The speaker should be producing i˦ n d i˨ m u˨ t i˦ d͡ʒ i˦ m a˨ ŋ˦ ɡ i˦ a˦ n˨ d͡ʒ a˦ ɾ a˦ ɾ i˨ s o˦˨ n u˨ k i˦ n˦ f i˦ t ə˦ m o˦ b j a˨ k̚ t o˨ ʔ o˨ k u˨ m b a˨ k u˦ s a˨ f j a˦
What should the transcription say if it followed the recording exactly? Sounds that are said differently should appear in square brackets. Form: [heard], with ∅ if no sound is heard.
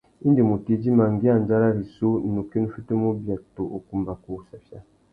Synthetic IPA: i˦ n d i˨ m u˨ t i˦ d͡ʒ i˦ m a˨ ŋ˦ ɡ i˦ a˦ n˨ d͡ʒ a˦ ɾ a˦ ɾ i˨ s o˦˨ n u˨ k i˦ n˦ f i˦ t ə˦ m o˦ b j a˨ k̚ t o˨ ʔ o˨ k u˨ m b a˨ k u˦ s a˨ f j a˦